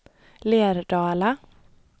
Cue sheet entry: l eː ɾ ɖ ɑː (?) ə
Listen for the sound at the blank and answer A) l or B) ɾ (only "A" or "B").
A